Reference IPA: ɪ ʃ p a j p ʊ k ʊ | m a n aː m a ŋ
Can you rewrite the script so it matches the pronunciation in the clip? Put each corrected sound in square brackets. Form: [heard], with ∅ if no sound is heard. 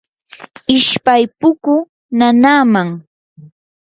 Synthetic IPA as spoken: ɪ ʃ p a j p ʊ k ʊ | [n] a n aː m a ŋ